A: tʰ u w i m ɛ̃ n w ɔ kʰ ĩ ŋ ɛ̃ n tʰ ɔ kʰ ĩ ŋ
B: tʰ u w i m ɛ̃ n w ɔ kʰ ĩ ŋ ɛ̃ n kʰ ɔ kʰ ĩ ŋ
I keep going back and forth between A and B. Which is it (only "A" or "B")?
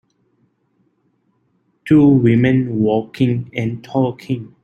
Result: A